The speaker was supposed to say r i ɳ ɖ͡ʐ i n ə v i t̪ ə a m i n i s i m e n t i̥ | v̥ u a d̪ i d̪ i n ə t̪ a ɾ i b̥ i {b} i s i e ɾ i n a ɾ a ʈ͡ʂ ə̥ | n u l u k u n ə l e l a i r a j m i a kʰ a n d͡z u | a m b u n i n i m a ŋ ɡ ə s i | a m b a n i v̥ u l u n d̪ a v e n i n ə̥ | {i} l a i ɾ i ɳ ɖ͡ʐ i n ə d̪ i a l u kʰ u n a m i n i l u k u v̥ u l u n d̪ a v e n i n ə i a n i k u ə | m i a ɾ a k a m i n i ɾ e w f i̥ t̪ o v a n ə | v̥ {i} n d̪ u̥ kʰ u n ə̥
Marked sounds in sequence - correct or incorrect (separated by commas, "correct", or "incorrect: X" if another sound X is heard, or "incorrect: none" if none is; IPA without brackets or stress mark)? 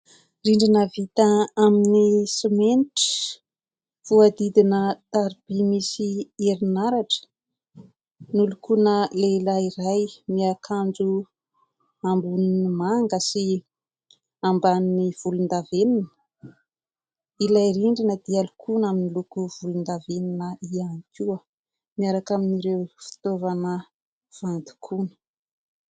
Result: incorrect: m, correct, incorrect: a